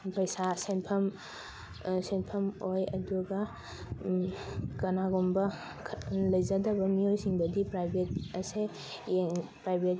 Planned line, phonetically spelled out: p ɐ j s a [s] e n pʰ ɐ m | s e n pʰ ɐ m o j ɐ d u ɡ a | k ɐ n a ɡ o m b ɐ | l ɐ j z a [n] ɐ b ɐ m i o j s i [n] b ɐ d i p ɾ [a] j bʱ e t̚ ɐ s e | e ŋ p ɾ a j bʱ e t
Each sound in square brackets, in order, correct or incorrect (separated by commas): correct, incorrect, incorrect, correct